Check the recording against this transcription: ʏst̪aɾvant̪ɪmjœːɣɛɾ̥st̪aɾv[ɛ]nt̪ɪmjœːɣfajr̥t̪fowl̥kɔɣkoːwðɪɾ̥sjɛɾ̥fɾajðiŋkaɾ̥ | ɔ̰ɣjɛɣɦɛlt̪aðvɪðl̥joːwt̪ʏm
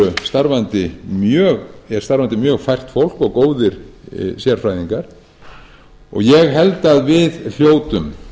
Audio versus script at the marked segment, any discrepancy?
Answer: yes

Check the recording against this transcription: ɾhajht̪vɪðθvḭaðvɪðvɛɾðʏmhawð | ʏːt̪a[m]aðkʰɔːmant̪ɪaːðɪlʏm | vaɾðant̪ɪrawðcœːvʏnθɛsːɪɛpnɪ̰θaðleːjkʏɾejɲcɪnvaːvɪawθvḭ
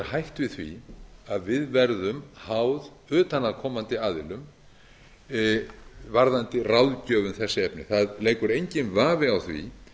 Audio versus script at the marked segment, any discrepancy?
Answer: yes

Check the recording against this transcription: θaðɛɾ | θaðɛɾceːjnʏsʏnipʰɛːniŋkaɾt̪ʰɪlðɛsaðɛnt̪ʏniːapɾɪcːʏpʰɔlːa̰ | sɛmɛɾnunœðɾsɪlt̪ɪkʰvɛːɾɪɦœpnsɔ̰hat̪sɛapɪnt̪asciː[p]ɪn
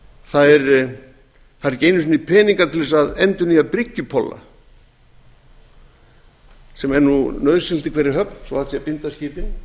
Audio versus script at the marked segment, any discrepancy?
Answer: no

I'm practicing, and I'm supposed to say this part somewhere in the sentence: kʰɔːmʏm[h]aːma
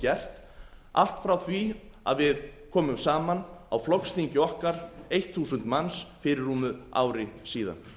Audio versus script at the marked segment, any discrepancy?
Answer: yes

